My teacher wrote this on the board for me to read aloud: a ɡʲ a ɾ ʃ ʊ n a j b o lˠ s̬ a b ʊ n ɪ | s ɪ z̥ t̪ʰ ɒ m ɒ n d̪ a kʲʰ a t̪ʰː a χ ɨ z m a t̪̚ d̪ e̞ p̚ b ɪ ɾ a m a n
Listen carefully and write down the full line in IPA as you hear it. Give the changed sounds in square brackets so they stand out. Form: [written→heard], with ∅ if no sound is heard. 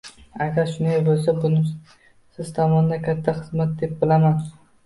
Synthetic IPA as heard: a ɡʲ a ɾ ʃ ʊ n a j b o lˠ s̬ a b ʊ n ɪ | s ɪ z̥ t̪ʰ ɒ m ɒ n d̪ a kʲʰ a t̪ʰː a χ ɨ z m a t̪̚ d̪ e̞ p̚ b ɪ [ɾ→l] a m a n